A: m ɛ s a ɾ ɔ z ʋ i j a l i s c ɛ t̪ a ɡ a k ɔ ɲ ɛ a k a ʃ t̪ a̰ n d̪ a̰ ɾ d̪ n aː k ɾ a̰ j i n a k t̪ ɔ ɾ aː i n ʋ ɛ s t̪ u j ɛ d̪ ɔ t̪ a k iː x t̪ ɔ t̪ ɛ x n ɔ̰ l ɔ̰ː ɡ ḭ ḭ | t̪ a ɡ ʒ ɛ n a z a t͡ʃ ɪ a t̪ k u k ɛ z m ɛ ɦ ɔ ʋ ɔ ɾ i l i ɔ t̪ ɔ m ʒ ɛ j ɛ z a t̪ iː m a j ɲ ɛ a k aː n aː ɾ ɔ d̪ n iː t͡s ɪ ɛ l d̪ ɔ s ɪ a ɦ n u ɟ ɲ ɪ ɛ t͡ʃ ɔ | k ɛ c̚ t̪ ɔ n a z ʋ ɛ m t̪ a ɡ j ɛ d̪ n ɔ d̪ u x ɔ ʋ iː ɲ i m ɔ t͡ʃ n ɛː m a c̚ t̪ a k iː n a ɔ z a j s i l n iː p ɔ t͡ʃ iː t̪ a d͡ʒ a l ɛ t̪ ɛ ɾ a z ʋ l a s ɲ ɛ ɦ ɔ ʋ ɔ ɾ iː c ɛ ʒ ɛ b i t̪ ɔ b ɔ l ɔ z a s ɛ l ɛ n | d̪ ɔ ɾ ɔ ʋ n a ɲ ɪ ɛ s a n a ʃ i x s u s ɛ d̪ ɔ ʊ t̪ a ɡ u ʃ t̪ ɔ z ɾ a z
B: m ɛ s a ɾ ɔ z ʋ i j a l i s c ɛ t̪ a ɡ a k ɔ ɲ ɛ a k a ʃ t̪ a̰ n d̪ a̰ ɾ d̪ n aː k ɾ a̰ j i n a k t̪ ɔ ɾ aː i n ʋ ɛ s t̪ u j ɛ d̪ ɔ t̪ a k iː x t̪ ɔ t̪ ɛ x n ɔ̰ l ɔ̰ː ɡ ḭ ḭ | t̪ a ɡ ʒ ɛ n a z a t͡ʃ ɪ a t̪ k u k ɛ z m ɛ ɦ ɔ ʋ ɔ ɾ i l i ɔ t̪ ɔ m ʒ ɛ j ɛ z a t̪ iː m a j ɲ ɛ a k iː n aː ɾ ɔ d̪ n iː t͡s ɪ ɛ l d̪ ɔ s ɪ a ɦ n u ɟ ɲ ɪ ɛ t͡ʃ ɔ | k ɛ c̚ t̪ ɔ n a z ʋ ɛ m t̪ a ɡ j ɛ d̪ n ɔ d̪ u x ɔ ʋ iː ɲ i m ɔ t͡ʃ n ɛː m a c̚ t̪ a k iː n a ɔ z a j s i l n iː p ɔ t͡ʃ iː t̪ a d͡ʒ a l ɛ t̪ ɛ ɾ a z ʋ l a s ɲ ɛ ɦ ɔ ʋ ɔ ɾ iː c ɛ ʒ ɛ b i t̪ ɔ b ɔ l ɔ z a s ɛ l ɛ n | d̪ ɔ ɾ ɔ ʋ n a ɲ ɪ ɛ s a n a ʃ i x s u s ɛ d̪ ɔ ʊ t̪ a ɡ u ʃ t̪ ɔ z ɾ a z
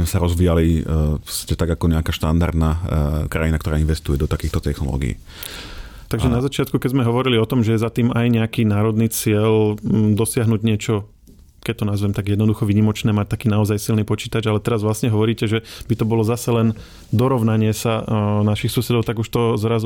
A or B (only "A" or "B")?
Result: B